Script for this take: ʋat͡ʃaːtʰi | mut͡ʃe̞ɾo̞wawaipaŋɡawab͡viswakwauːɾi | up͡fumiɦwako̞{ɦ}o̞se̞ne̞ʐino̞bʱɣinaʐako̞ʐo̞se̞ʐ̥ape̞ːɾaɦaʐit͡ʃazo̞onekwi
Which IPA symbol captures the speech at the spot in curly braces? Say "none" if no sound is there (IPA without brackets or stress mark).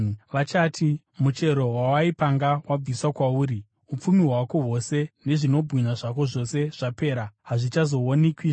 ɦ